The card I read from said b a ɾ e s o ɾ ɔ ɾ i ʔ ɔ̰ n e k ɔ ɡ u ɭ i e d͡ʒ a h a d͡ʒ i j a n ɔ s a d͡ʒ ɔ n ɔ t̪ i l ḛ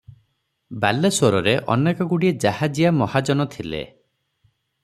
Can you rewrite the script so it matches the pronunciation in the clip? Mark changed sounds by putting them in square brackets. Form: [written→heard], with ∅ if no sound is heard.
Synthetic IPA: b a [ɾ→l] e s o ɾ ɔ ɾ [i→e] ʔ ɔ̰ n e k ɔ ɡ u [ɭ→ɽ] i e d͡ʒ a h a d͡ʒ i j a [n→m] ɔ [s→h] a d͡ʒ ɔ n ɔ [t̪→t̪ʰ] i l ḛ